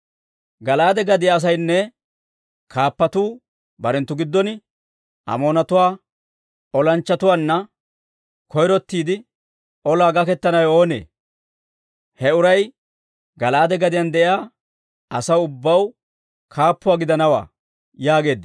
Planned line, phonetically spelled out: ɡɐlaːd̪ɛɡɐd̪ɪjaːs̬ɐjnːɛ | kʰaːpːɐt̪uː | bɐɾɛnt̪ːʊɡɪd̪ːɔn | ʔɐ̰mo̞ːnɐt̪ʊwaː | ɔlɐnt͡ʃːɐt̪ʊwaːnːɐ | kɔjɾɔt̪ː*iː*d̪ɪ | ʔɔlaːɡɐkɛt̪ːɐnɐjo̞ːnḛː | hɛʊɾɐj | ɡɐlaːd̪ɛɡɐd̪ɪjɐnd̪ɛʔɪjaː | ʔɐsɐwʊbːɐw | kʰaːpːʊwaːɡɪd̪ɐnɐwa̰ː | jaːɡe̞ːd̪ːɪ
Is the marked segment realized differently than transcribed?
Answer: no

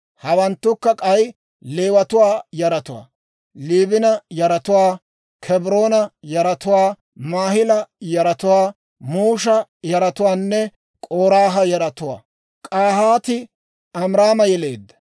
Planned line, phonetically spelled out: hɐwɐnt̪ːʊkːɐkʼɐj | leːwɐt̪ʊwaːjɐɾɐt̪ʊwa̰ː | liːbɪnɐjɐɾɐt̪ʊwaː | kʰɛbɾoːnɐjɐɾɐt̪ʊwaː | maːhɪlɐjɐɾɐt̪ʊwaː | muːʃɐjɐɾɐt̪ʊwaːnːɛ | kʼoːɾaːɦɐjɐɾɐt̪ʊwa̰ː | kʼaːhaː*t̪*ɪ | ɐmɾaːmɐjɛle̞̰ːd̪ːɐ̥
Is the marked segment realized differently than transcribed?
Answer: no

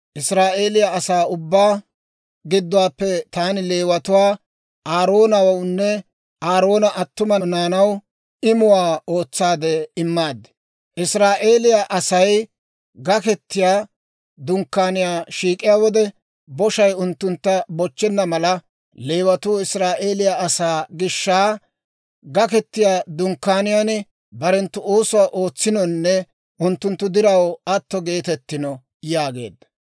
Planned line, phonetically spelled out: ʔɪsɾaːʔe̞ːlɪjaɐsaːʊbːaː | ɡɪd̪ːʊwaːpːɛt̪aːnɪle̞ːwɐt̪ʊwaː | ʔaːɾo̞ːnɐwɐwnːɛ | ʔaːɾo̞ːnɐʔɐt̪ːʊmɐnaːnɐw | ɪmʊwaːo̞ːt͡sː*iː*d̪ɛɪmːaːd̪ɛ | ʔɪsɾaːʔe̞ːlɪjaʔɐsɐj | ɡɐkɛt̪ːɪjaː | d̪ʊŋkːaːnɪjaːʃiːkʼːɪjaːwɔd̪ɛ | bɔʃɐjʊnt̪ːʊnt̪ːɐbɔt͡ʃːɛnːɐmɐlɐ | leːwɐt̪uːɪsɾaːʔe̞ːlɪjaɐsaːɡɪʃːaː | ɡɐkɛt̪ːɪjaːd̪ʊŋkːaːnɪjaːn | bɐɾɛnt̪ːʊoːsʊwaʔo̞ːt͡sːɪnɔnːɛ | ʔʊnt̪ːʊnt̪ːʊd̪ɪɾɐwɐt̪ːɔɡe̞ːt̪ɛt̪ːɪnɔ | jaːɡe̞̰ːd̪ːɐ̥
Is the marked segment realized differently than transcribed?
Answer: yes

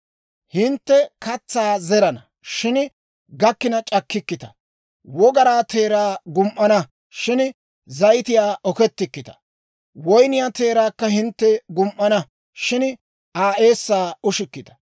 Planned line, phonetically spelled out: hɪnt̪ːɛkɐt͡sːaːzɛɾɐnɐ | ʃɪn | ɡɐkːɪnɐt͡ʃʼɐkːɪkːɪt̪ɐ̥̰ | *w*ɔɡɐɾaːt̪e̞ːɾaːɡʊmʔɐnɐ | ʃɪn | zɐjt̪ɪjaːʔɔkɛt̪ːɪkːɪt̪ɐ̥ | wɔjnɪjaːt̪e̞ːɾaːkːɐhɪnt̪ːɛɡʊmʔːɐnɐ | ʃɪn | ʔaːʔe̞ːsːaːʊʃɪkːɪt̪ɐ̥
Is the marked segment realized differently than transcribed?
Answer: no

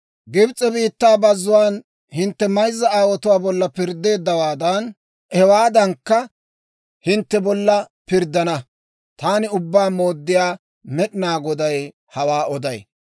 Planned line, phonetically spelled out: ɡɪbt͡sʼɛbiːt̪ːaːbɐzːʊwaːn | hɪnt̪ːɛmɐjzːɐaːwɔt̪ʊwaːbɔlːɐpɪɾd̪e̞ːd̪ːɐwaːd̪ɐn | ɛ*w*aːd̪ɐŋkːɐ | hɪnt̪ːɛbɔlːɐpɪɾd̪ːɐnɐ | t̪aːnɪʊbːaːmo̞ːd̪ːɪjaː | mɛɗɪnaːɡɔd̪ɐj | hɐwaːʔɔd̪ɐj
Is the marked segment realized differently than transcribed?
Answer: no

